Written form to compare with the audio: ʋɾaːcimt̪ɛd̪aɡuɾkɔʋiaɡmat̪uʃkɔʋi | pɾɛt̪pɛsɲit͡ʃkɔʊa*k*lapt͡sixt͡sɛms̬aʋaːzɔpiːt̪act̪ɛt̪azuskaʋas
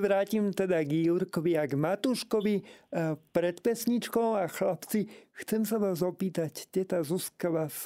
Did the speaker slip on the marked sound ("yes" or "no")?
yes